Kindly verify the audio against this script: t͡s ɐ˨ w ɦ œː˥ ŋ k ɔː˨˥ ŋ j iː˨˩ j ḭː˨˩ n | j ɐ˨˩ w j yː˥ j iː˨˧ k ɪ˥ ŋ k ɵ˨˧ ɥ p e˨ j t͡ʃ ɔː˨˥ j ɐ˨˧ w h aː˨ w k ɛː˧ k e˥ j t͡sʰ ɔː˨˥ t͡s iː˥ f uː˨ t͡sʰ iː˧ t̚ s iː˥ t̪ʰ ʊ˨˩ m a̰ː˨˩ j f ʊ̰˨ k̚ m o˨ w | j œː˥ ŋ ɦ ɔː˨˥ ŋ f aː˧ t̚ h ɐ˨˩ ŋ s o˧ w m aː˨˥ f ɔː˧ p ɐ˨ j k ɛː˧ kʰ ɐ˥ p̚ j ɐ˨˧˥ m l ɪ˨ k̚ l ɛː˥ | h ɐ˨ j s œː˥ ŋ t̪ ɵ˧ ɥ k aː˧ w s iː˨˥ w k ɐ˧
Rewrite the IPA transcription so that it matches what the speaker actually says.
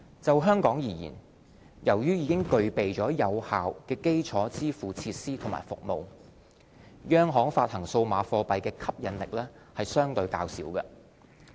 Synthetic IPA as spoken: t͡s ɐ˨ w ɦ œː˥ ŋ k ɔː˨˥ ŋ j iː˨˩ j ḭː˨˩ n | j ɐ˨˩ w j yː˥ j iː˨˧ k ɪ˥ ŋ k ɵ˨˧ ɥ p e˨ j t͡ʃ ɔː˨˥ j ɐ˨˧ w h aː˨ w k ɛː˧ k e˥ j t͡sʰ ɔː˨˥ t͡s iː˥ f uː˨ t͡sʰ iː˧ t̚ s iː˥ t̪ʰ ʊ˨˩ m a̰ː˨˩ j f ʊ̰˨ k̚ m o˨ w | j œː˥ ŋ ɦ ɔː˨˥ ŋ f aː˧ t̚ h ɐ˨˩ ŋ s o˧ w m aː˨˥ f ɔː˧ p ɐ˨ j k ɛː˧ kʰ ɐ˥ p̚ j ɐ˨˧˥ n l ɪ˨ k̚ l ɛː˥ | h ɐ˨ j s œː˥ ŋ t̪ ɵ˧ ɥ k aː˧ w s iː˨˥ w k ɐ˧

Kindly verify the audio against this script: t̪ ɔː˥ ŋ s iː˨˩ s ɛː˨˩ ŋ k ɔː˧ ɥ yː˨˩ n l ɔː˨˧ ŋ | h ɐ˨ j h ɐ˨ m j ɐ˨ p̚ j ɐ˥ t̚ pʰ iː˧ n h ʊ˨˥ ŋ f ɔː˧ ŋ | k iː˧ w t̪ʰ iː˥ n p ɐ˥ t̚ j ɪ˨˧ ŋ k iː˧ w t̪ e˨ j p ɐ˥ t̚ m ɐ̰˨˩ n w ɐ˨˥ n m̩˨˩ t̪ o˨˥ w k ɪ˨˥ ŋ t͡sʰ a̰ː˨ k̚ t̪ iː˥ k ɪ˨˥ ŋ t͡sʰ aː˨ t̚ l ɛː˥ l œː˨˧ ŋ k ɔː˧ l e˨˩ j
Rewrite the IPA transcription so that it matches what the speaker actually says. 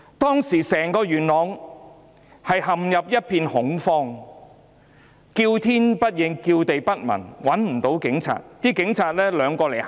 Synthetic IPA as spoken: t̪ ɔː˥ ŋ s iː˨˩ s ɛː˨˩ ŋ k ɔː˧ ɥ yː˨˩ n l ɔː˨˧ ŋ | h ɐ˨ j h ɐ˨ m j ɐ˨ p̚ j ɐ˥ t̚ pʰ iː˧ n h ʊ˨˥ ŋ f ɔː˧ ŋ | k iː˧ w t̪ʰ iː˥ n p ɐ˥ t̚ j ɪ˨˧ ŋ k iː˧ w t̪ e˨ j p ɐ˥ t̚ m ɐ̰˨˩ n w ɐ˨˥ n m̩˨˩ t̪ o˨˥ w k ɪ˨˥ ŋ t͡sʰ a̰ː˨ t̚ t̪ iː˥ k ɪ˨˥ ŋ t͡sʰ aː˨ t̚ l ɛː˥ l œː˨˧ ŋ k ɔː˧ l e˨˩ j

